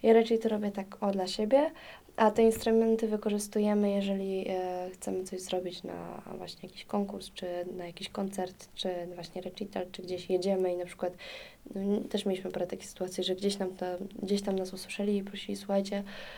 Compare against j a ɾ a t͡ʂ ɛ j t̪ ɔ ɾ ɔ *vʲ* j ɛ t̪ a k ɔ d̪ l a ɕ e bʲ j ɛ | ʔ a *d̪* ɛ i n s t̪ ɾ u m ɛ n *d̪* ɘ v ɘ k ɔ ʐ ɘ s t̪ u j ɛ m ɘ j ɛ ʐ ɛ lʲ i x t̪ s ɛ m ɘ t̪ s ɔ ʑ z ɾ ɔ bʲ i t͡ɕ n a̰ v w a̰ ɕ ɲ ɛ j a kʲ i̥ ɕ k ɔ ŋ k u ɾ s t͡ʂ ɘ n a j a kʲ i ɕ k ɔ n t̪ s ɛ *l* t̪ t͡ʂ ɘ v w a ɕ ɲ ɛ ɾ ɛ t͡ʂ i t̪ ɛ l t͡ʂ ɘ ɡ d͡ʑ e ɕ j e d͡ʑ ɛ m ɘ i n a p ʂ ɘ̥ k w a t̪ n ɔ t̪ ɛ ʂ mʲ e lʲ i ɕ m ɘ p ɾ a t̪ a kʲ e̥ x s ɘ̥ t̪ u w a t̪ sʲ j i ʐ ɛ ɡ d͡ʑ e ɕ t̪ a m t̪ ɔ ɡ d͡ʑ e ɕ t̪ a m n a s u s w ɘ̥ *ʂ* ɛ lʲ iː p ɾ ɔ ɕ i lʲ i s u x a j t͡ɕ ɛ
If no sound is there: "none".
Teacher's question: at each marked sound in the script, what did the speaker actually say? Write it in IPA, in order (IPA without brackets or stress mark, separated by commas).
bʲ, t̪, t̪, ɾ, ʂ